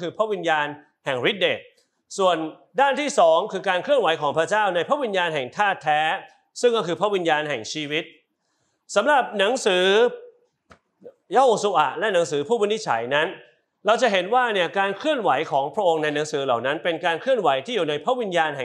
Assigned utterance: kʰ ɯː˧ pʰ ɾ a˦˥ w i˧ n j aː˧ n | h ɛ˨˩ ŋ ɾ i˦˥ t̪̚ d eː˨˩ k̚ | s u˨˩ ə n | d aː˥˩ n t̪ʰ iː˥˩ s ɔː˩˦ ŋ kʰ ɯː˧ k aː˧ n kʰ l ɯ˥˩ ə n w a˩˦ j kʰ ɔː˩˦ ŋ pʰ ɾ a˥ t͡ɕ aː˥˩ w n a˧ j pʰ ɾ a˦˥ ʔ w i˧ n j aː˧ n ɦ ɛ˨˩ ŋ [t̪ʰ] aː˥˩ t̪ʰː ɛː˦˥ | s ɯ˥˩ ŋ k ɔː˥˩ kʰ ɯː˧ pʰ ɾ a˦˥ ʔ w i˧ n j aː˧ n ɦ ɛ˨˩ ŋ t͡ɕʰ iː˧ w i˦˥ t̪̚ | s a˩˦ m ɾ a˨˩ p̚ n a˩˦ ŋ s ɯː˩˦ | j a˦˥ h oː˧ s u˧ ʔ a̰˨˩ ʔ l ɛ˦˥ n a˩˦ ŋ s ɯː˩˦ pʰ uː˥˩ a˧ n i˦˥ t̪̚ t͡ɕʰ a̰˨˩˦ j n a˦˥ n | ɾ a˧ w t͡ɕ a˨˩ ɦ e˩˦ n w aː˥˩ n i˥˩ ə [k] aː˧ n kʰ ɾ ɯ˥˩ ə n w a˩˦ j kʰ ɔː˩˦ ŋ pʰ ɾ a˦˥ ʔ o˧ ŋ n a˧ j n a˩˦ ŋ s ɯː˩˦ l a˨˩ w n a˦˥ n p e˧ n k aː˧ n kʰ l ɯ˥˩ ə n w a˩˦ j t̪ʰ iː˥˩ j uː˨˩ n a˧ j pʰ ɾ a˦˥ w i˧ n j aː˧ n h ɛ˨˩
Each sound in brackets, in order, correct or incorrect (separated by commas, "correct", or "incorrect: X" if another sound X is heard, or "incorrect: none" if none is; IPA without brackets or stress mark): correct, correct